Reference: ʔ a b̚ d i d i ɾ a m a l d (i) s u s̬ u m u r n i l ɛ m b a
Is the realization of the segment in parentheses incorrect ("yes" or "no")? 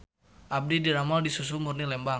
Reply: no